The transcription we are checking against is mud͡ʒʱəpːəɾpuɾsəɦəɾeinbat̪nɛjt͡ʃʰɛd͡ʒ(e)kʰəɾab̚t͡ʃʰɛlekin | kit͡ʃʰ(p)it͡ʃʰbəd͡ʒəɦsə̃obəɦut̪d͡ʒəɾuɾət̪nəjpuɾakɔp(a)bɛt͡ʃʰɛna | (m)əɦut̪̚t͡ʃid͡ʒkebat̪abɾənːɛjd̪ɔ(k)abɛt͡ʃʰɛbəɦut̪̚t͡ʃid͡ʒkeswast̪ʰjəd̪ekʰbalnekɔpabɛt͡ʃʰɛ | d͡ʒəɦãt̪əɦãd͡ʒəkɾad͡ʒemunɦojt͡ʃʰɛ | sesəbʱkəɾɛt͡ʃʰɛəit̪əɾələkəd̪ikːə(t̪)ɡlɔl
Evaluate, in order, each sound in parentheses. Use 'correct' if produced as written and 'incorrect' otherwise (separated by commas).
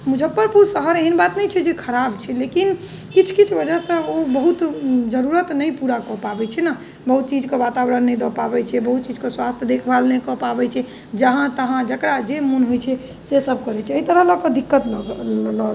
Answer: correct, incorrect, correct, incorrect, incorrect, correct